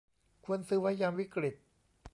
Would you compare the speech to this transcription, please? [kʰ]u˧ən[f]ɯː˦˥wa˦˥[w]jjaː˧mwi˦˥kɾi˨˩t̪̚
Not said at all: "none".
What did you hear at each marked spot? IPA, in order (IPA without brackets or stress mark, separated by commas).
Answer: kʰ, s, none